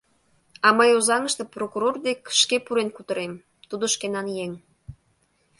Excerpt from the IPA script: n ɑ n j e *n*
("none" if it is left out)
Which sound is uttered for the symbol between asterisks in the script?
ŋ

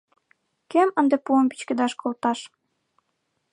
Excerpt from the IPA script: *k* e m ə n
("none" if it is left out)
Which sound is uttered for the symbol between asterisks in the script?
k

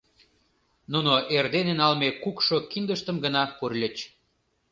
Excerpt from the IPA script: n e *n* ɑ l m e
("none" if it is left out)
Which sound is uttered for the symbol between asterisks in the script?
n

